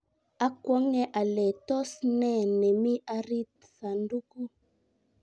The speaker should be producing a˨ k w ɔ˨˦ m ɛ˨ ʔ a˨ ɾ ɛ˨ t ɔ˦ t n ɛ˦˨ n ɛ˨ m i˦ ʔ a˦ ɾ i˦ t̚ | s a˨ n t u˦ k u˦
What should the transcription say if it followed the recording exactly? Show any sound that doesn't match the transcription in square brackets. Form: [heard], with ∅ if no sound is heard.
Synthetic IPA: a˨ k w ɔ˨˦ [ŋ] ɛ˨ ʔ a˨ [l] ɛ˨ t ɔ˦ [s] n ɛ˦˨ n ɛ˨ m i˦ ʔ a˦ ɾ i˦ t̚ | s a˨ n [d] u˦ k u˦